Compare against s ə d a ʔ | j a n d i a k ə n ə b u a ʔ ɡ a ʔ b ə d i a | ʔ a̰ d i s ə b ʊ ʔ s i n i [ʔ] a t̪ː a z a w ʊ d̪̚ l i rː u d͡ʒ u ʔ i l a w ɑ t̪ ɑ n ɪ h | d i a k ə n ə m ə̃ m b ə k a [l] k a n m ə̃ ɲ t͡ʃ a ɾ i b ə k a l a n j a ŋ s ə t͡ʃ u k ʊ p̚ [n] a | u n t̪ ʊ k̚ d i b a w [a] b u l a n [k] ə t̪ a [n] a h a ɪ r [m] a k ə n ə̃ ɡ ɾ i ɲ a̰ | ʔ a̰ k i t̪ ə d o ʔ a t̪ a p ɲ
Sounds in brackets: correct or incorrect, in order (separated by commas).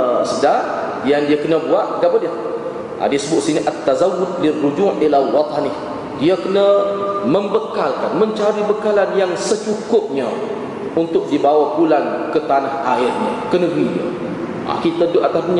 correct, correct, incorrect, correct, correct, correct, incorrect